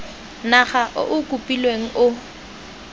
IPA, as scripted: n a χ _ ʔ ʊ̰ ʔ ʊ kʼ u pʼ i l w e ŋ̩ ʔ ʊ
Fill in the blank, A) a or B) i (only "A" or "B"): A